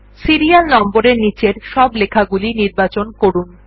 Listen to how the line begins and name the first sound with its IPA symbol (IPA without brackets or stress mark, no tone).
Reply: s